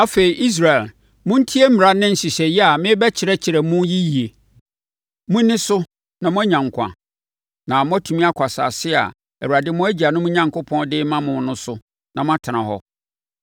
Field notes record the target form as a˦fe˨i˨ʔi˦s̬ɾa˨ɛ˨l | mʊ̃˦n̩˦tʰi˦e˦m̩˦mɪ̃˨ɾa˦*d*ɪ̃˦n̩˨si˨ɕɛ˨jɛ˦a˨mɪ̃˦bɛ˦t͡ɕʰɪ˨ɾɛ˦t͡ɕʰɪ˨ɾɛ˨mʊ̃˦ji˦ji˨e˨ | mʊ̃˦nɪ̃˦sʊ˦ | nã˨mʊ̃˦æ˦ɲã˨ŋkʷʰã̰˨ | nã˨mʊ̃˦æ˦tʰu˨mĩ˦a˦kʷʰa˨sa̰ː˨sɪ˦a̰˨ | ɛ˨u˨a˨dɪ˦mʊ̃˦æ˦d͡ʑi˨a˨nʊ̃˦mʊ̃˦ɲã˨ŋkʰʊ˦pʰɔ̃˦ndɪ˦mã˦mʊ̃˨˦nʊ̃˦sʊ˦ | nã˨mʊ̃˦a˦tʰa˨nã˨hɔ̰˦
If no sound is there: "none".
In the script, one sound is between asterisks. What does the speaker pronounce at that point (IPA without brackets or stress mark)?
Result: n